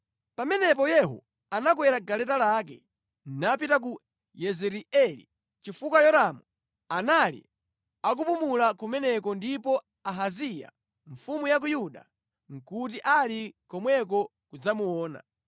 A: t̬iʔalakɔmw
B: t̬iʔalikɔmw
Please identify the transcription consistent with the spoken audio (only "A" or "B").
B